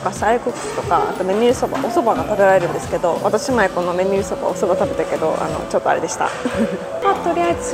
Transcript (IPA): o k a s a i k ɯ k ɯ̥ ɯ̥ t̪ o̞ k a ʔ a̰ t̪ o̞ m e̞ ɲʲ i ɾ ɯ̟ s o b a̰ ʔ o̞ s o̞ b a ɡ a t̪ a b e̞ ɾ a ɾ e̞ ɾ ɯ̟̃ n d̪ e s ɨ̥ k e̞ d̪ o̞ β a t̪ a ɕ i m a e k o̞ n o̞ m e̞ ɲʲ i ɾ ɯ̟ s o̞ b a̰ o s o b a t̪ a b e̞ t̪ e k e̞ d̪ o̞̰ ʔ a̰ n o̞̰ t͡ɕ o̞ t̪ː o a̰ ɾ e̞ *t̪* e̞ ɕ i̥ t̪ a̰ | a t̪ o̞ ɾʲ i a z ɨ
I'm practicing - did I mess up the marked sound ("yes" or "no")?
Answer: yes